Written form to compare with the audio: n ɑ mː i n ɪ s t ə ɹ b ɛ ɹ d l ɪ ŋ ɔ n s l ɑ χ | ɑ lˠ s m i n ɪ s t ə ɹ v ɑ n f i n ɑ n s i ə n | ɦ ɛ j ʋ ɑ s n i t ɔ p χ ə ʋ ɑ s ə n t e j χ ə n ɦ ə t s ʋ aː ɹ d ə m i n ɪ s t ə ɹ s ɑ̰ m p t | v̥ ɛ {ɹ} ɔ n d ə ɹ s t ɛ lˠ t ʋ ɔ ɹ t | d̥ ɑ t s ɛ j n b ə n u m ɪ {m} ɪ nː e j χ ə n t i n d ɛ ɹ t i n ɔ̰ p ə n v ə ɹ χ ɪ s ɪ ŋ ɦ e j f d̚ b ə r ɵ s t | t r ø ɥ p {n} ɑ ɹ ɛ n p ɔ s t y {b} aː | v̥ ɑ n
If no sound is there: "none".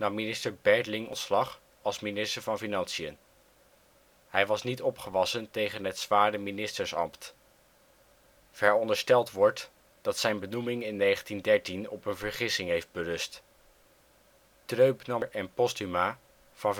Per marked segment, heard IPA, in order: ɹ, ŋ, n, m

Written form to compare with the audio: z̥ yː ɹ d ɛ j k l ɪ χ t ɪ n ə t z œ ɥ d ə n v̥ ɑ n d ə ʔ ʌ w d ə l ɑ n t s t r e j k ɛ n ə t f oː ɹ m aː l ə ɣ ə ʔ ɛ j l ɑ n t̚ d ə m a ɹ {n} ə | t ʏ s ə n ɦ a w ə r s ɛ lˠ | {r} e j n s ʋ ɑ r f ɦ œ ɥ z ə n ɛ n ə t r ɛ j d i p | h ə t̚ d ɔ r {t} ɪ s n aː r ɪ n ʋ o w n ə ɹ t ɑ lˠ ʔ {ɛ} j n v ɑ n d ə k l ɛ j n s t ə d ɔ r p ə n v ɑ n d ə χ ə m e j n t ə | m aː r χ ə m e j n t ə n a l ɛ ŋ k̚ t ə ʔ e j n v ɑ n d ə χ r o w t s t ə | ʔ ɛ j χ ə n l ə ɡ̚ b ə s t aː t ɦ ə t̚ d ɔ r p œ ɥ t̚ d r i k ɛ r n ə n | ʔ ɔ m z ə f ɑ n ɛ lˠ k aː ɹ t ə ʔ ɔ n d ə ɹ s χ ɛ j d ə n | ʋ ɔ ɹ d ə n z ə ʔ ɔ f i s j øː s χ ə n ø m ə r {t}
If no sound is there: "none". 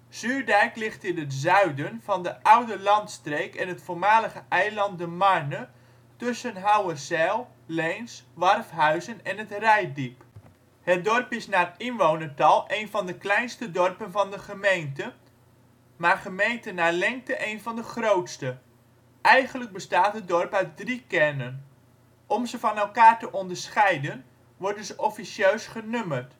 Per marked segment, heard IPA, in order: n, l, p, e, t

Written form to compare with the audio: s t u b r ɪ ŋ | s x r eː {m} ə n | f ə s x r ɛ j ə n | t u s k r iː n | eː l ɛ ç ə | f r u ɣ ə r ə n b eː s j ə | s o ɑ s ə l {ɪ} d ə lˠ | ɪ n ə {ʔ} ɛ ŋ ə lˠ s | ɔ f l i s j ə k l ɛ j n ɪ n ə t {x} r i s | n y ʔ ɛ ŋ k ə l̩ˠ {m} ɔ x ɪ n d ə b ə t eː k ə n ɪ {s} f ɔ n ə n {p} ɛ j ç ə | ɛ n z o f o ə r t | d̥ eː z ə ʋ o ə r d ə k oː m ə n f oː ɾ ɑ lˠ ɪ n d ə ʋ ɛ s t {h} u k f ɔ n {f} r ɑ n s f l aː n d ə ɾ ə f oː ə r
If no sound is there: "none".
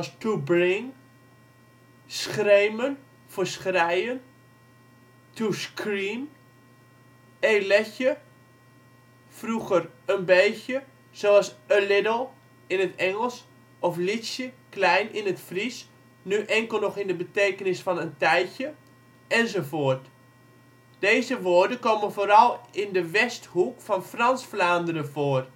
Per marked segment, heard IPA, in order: m, ɪ, t, f, n, s, t, h, f

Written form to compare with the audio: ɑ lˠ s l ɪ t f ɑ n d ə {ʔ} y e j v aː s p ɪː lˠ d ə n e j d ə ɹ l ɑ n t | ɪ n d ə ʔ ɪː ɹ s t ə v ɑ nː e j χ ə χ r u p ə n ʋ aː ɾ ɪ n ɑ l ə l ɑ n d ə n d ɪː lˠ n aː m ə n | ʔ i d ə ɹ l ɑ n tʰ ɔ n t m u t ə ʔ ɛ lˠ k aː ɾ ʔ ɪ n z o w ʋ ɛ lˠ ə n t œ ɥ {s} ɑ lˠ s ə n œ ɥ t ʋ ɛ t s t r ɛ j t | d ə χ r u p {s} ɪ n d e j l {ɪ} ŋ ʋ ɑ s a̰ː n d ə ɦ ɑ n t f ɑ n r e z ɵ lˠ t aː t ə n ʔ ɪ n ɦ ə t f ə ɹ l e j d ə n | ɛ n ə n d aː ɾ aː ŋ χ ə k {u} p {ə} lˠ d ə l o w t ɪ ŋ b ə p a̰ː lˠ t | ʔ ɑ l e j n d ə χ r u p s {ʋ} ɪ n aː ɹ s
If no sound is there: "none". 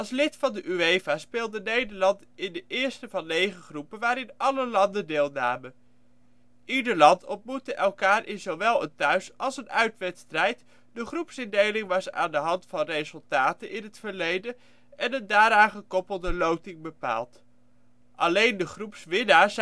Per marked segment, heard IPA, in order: ʔ, s, s, ɪ, ɔ, ə, ʋ

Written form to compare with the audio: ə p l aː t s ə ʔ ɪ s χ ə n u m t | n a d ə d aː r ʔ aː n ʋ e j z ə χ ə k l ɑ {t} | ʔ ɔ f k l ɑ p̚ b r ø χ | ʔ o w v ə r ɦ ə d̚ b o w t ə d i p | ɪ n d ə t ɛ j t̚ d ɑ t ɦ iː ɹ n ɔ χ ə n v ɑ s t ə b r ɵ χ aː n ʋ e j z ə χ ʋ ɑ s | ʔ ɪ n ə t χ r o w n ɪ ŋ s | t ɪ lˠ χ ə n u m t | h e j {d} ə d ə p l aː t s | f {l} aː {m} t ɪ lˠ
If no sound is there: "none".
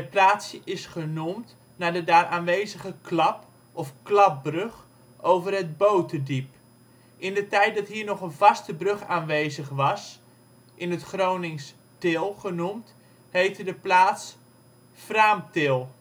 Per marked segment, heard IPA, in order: p, t, r, m

